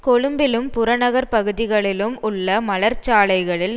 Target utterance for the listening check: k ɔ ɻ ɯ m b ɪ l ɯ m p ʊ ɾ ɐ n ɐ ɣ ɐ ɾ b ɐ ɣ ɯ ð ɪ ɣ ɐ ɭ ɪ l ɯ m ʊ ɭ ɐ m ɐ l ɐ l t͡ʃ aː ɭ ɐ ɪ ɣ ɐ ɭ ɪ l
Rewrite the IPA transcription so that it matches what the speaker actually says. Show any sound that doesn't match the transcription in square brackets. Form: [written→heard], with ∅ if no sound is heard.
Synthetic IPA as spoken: k ɔ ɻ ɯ m b ɪ l ɯ m p ʊ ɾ ɐ n ɐ ɣ ɐ ɾ [b→p] ɐ ɣ ɯ ð ɪ ɣ ɐ ɭ ɪ l ɯ m ʊ [ɭ→ɭː] ɐ m ɐ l ɐ [l→ɾ] t͡ʃ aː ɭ ɐ ɪ ɣ ɐ ɭ ɪ l